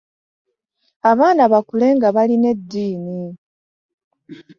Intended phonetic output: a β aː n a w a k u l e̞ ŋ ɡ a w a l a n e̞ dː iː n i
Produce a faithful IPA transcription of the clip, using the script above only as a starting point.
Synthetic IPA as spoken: a β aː n a β a k u l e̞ ŋ ɡ a β a l i n e̞ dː iː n i